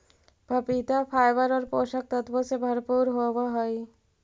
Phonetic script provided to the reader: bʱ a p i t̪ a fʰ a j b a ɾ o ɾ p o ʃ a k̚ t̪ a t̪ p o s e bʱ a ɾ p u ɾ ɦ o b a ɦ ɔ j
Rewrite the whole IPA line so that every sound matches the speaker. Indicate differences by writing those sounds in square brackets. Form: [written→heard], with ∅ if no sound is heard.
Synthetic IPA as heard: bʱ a p i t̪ a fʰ a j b a ɾ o ɾ p o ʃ a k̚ t̪ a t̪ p o s e bʱ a ɾ p u ɾ ɦ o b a ɦ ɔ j